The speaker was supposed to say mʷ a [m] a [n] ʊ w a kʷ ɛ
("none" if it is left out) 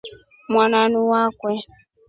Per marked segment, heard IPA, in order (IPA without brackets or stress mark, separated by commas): n, n